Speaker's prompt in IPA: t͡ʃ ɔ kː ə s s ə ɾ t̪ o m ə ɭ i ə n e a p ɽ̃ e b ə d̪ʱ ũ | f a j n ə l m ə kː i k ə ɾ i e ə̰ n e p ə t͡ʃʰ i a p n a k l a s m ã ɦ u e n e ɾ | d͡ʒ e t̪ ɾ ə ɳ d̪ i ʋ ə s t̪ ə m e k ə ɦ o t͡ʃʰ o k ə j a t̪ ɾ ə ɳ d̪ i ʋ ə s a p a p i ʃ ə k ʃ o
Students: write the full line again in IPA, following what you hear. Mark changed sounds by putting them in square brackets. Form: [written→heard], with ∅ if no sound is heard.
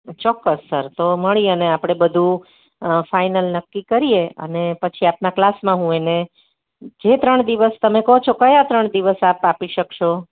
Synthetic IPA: t͡ʃ ɔ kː ə s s ə ɾ t̪ o m ə ɭ i ə n e a p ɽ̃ e b ə d̪ʱ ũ | f a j n ə l [m→n] ə kː i k ə ɾ i e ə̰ n e p ə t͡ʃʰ i a p n a k l a s m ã ɦ [u→ũ] e n e [ɾ→∅] | d͡ʒ e t̪ ɾ ə ɳ d̪ i ʋ ə s t̪ ə m e k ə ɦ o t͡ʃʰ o k ə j a t̪ ɾ ə ɳ d̪ i ʋ ə s a p a p i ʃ ə k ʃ o

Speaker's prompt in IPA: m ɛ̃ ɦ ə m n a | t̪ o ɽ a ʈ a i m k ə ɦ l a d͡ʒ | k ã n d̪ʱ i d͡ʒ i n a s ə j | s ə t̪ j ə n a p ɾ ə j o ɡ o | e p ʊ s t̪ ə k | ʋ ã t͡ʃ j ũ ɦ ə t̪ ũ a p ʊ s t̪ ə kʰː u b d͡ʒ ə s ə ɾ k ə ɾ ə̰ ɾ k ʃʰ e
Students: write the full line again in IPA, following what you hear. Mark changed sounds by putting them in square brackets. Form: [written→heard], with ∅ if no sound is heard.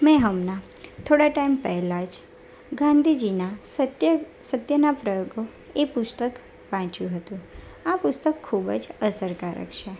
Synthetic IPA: m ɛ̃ ɦ ə m n a | [t̪→t̪ʰ] o ɽ a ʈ a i m [k→p] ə ɦ l a d͡ʒ | [k→ɡ] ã n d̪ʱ i d͡ʒ i n a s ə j | s ə t̪ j ə n a p ɾ ə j o ɡ o | e p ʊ s t̪ ə k | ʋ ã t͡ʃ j ũ ɦ ə t̪ ũ a p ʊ s t̪ ə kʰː u b d͡ʒ ə s ə ɾ k [ə→a] ɾ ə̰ [ɾ→∅] k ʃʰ e

